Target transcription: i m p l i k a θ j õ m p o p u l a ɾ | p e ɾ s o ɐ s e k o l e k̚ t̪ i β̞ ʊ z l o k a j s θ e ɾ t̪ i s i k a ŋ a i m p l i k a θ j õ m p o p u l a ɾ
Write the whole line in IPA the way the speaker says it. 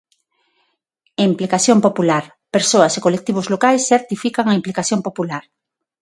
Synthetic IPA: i m p l i k a θ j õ m p o p u l a ɾ | p e ɾ s o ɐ s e k o l e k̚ t̪ i β̞ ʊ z l o k a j s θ e ɾ t̪ i f i k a ŋ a i m p l i k a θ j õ m p o p u l a ɾ